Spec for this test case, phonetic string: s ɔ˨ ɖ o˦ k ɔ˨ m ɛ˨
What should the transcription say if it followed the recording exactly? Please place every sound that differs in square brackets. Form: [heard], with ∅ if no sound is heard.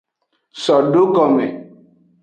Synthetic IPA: s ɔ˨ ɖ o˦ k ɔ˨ m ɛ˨